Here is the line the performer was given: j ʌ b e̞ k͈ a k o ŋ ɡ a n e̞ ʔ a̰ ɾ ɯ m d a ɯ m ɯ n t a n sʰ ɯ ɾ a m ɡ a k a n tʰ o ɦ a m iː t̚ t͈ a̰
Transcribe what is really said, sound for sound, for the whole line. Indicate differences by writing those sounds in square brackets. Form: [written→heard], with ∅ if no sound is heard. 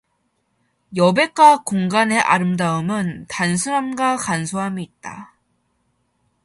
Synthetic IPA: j ʌ b e̞ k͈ a k o ŋ ɡ a n e̞ ʔ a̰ ɾ ɯ m d a ɯ m ɯ n t a n sʰ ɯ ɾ a m ɡ a k a n [tʰ→sʰ] o ɦ a m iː t̚ t͈ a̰